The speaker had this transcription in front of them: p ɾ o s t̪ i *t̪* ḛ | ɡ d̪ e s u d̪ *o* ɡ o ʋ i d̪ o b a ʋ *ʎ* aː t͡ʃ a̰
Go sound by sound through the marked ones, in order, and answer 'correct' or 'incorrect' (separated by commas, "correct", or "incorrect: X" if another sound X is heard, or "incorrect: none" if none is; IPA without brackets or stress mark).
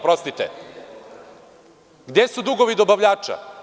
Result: correct, incorrect: u, correct